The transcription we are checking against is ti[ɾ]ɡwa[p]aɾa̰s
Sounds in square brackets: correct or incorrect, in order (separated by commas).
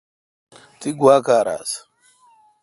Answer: incorrect, incorrect